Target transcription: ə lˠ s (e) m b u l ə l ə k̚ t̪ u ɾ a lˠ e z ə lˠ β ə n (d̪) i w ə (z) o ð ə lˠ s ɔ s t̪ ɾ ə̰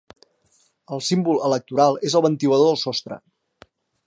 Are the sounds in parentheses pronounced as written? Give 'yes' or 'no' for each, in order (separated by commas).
no, no, no